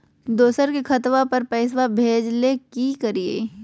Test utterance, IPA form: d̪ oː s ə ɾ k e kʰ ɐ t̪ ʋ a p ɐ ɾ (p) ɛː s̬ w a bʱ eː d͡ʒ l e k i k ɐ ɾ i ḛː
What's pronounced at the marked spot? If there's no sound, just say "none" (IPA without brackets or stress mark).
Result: p